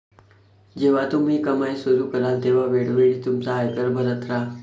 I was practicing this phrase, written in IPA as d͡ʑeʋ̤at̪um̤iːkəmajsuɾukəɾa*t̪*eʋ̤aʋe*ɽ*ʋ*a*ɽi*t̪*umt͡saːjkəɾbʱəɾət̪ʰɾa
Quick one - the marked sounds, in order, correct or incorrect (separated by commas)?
correct, correct, incorrect, correct